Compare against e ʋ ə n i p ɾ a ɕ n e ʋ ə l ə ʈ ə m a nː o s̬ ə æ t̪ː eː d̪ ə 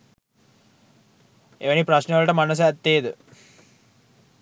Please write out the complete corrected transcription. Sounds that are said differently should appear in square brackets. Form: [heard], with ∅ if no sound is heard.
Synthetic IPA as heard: e ʋ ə n i p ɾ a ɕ n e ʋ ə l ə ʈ ə m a [n] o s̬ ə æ t̪ː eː d̪ ə